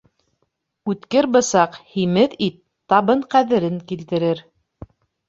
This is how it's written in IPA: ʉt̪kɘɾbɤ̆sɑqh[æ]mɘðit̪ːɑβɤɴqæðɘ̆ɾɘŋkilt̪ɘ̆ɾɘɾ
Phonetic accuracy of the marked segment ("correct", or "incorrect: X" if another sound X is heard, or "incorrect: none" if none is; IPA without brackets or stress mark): incorrect: i